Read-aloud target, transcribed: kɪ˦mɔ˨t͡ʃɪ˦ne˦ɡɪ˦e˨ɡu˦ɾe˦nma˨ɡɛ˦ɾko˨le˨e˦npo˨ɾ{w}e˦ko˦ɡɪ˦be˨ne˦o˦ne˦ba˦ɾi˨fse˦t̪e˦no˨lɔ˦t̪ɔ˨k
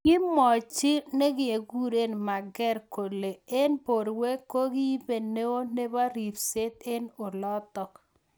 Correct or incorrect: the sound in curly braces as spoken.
correct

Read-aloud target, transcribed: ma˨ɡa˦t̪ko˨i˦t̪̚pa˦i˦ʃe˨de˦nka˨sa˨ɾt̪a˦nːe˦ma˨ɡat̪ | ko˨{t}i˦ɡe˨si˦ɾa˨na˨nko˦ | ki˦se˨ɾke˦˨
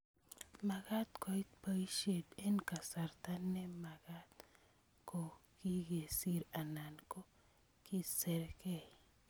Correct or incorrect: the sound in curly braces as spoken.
incorrect: k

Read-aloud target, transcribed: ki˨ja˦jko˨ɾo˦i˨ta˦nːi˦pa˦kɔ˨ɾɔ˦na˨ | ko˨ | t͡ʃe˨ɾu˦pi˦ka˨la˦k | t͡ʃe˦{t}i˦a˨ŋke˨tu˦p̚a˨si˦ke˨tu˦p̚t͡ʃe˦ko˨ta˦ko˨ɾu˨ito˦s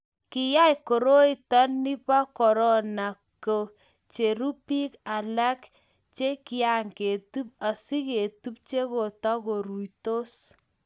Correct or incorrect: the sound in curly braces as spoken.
incorrect: k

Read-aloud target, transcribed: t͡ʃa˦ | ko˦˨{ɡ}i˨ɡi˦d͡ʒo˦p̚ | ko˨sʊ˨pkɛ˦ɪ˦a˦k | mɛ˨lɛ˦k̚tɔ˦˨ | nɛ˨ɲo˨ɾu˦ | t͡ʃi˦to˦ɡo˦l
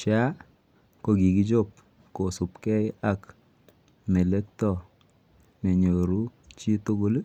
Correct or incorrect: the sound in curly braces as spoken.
correct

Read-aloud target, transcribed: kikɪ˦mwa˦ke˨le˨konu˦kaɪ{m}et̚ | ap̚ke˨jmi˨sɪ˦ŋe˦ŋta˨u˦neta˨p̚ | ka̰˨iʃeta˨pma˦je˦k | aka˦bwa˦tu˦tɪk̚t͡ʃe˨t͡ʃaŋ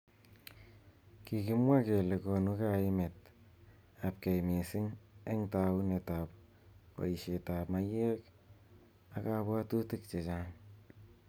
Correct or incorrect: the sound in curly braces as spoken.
correct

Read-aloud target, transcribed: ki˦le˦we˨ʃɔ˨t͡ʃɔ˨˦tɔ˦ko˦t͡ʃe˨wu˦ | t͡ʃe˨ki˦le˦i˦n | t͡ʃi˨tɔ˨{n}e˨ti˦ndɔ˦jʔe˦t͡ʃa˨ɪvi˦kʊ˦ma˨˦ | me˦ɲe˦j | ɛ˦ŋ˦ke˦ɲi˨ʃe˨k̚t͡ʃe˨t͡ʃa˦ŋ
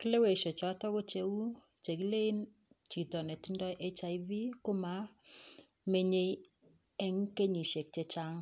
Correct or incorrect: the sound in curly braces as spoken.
correct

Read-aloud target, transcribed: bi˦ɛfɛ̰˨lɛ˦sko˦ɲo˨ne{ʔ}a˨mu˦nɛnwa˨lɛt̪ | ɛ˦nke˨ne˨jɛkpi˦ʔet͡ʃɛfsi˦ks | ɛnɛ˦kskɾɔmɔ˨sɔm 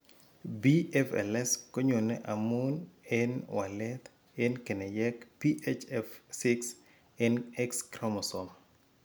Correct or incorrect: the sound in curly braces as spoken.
correct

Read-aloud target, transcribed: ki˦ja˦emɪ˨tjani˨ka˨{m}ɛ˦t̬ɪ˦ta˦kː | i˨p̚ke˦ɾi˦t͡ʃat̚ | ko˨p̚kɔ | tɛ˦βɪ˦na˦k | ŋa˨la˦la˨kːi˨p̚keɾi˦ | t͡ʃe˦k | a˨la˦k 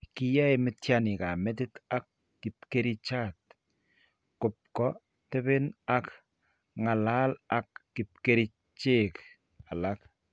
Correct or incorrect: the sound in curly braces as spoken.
correct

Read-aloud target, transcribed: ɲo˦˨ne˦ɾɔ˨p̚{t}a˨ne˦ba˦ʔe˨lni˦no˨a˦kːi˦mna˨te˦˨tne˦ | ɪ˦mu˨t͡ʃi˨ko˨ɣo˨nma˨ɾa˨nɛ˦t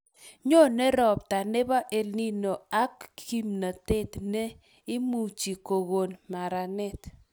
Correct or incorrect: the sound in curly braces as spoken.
correct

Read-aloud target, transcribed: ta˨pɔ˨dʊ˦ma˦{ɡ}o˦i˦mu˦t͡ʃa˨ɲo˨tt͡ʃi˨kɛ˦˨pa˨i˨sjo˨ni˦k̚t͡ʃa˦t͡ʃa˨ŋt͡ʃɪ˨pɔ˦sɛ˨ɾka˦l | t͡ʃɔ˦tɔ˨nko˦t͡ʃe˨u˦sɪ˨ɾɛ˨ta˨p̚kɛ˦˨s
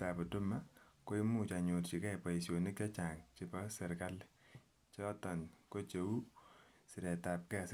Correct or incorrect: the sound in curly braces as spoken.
incorrect: k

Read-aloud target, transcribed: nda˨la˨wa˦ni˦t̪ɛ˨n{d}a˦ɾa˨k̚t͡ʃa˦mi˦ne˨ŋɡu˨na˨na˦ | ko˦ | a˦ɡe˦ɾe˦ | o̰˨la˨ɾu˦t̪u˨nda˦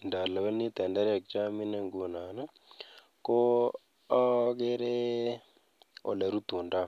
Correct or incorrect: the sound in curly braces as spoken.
correct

